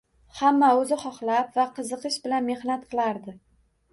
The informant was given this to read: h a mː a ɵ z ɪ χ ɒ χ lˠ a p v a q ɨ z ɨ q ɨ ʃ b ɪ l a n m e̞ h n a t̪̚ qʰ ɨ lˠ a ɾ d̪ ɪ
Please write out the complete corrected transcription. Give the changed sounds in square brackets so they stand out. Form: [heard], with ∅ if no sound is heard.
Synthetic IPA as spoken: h a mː a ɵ z ɪ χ ɒ χ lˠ a p v a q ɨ z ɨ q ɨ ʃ b ɪ l a n m e̞ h n a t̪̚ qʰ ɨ lˠ a ɾ d̪ ɪ